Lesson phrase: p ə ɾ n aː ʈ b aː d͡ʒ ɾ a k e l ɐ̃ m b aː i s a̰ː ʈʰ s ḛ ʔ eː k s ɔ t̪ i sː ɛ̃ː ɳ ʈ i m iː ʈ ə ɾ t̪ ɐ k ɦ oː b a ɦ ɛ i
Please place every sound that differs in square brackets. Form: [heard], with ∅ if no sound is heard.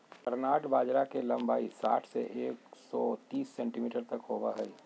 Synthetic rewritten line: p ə ɾ n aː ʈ b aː d͡ʒ ɾ a k e l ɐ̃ m b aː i s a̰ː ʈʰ s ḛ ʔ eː k s ɔ t̪ [iː] sː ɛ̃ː ɳ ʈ i m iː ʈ ə ɾ t̪ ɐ k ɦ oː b a ɦ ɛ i